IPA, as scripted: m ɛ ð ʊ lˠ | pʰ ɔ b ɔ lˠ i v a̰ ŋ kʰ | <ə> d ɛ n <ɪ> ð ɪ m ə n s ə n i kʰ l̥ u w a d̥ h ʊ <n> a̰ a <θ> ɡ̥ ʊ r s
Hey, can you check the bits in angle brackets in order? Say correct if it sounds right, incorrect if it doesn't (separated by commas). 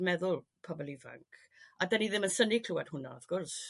incorrect, incorrect, correct, incorrect